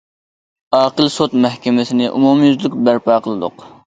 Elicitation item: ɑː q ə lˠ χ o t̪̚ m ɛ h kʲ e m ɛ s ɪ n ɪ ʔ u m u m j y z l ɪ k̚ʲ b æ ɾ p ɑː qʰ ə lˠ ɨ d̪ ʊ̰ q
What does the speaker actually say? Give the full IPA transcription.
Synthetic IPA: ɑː q ə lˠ s o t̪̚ m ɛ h kʲ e m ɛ s ɪ n ɪ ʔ u m u m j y z l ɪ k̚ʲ b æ ɾ p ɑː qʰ ə lˠ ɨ d̪ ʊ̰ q